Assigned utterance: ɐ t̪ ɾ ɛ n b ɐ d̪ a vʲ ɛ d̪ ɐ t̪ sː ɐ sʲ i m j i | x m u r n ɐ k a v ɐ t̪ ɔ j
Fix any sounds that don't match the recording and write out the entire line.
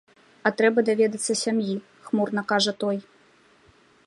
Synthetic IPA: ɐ t̪ ɾ ɛ b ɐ d̪ a vʲ ɛ d̪ ɐ t̪ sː ɐ sʲ a m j i | x m u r n ɐ k a ʐ ɐ t̪ ɔ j